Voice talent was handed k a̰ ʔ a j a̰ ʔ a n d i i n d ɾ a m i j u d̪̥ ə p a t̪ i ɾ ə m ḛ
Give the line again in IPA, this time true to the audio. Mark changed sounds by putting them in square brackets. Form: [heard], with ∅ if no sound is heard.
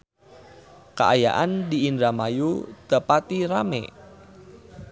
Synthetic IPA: k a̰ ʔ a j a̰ ʔ a n d i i n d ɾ a m [a] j u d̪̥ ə p a t̪ i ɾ [a] m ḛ